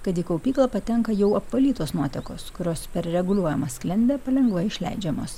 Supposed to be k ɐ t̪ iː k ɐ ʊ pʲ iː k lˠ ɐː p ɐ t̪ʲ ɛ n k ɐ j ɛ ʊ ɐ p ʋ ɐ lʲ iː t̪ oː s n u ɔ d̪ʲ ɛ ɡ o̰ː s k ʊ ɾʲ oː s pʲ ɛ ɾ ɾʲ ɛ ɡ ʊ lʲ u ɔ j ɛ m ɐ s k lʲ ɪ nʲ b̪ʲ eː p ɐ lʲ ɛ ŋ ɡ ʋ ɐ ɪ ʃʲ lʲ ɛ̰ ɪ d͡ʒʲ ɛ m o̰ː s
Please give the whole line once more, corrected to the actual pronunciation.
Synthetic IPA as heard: k ɐ t̪ iː k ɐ ʊ pʲ iː k lˠ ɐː p ɐ t̪ʲ ɛ ŋ k ɐ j ɛ ʊ ɐ p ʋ ɐ lʲ iː t̪ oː s n u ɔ t̪ʲ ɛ k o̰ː s k ʊ ɾʲ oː s pʲ ɛ ɾ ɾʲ ɛ ɡ ʊ lʲ u ɔ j ɛ m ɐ s k lʲ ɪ nʲ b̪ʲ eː p ɐ lʲ ɛ ŋ ɡ ʋ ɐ ɪ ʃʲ lʲ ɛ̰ ɪ d͡ʒʲ ɛ m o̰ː s